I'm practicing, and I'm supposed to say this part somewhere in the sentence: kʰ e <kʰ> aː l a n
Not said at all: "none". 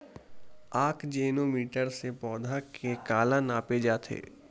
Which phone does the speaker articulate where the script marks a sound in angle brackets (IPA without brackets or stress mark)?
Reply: k